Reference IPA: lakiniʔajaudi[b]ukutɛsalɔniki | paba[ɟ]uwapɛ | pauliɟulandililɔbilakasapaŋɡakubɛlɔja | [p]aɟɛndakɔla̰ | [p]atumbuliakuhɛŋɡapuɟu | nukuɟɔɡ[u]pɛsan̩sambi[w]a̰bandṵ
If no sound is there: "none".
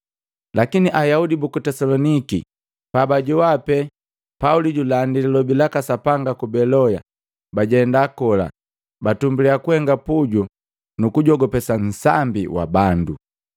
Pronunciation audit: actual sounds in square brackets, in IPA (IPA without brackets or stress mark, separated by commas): b, ɟ, b, b, ɔ, w